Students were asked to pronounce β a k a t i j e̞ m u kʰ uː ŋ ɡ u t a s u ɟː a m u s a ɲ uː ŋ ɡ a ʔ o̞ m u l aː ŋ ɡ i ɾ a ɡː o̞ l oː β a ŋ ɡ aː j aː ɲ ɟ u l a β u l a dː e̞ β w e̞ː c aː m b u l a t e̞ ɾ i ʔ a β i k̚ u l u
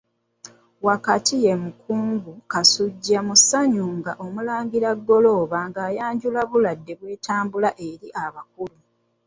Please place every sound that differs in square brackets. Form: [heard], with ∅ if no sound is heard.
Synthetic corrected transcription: [w] a k a t i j e̞ m u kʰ uː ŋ ɡ u [k] a s u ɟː a m u s a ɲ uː ŋ ɡ a ʔ o̞ m u l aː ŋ ɡ i ɾ a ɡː o̞ l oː β a ŋ ɡ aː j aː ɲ ɟ u l a β u l a dː e̞ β w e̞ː [t] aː m b u l a [ʔ] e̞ ɾ i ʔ a β [a] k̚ u l u